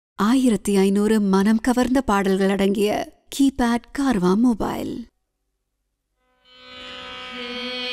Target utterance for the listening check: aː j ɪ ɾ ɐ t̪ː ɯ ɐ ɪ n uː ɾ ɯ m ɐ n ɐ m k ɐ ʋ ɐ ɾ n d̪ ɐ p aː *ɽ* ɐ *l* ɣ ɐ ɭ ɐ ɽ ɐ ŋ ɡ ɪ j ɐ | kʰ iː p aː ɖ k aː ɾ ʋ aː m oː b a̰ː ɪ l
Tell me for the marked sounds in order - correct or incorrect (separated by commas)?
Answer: correct, correct